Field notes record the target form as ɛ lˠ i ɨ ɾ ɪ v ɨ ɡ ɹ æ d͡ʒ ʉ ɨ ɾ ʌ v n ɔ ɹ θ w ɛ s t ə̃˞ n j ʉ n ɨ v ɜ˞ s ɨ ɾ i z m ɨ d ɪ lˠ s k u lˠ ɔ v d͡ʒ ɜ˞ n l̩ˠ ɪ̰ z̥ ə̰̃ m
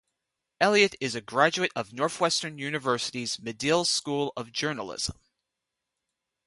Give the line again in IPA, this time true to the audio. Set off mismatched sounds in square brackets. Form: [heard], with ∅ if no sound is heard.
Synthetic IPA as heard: ɛ lˠ i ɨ ɾ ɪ [z] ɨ ɡ ɹ æ d͡ʒ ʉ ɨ ɾ ʌ v n ɔ ɹ θ w ɛ s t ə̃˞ n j ʉ n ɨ v ɜ˞ s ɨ ɾ i z m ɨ d ɪ lˠ s k u lˠ [ʌ] v d͡ʒ ɜ˞ n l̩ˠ ɪ̰ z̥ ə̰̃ m